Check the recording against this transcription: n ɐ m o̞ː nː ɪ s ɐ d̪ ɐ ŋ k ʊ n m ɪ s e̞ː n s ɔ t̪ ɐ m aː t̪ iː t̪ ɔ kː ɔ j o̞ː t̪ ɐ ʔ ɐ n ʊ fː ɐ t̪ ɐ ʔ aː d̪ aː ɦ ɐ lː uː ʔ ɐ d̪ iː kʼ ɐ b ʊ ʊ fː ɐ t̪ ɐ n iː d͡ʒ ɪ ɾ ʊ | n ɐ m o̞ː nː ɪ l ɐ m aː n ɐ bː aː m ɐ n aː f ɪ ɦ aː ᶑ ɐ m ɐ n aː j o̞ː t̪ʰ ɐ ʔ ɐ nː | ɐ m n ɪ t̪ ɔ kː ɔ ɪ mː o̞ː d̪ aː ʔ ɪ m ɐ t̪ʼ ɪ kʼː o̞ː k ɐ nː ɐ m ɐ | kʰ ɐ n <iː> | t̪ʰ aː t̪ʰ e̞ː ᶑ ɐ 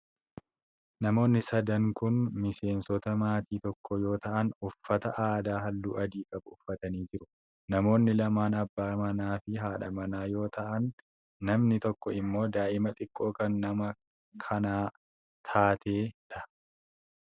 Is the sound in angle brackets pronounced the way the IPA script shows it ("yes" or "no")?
no